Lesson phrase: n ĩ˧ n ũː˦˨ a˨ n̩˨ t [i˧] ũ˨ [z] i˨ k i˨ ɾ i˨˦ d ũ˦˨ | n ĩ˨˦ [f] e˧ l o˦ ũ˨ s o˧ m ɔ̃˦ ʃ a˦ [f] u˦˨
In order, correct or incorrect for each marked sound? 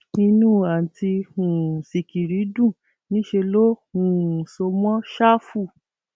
correct, incorrect: s, incorrect: ʃ, correct

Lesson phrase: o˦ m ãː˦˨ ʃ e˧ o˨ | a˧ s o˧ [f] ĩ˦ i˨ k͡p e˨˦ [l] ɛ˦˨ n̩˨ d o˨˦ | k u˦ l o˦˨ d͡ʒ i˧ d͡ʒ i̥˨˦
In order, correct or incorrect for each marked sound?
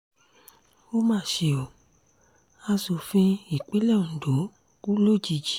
correct, correct

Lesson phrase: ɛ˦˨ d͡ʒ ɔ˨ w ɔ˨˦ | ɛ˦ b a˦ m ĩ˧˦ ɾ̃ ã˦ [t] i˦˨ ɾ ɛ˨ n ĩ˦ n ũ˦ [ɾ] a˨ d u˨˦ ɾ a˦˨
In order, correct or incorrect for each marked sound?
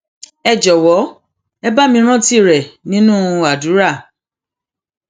correct, incorrect: none

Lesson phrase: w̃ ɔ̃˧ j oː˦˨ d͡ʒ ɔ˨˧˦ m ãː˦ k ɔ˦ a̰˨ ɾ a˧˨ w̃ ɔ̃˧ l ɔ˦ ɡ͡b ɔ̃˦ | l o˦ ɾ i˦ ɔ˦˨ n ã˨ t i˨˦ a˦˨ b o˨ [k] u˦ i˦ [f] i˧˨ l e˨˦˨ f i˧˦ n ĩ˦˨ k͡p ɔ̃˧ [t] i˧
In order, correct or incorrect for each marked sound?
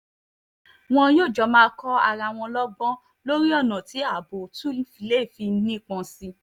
incorrect: t, correct, incorrect: s

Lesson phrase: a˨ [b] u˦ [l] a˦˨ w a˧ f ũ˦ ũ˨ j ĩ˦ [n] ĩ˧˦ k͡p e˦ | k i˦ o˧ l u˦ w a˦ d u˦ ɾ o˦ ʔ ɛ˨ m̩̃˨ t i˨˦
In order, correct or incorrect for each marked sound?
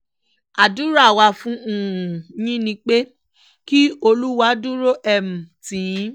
incorrect: d, incorrect: ɾ, correct

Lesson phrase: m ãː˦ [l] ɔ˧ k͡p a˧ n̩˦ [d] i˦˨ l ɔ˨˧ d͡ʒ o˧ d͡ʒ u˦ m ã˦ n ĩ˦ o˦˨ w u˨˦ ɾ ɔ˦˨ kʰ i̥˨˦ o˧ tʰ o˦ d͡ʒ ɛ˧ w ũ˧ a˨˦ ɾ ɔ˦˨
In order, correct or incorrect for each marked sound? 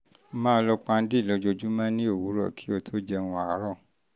correct, correct

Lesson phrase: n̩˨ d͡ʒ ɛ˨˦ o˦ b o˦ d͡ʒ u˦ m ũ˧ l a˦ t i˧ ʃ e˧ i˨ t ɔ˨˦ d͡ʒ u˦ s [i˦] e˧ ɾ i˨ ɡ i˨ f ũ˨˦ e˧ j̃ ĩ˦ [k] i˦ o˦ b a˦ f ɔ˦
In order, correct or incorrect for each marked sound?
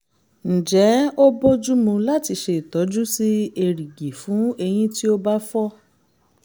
correct, incorrect: t

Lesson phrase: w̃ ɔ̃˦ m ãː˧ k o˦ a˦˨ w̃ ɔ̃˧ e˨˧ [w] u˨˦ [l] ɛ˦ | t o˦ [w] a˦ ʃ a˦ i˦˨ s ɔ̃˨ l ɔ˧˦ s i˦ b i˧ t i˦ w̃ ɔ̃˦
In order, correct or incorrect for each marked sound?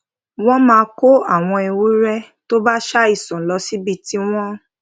correct, incorrect: ɾ, incorrect: b

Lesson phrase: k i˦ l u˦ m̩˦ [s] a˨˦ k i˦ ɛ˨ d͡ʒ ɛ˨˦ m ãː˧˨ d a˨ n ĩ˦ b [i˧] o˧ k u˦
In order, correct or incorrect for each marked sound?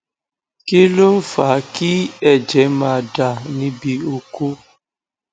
incorrect: f, correct

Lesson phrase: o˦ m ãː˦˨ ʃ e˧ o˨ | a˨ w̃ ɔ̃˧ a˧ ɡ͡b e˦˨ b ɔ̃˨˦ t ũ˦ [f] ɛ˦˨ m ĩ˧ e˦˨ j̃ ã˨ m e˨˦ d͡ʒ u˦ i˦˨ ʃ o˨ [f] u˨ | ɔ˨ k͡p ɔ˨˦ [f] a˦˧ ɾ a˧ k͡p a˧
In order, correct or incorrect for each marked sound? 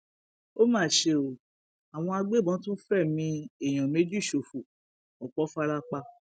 correct, correct, correct

